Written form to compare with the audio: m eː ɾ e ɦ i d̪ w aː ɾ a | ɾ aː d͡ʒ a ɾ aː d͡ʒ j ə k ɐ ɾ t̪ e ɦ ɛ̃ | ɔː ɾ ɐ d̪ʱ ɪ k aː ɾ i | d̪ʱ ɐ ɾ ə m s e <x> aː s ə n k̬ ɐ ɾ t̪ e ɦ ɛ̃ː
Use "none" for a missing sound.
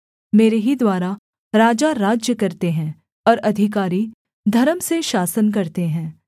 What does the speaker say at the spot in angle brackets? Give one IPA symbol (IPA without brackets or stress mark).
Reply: ʃ